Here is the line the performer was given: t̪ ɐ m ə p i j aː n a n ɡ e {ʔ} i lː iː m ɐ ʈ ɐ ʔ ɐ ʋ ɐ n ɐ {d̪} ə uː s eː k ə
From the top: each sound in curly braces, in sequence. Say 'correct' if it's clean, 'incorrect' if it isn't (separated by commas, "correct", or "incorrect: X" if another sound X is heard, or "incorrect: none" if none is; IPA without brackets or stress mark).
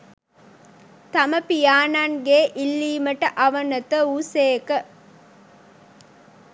correct, incorrect: t̪